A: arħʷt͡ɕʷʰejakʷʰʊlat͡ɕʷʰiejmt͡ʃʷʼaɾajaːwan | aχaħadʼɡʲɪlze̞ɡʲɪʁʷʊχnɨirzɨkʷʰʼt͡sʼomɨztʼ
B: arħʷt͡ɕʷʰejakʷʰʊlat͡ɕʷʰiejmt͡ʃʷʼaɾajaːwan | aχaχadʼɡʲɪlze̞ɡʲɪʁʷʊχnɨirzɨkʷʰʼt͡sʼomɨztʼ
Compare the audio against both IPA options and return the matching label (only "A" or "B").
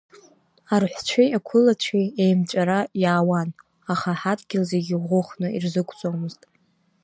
A